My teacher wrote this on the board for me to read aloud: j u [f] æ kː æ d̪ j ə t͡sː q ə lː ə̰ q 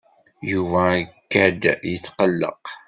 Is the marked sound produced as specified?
no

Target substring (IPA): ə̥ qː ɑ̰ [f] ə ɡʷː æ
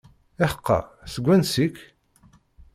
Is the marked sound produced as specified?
no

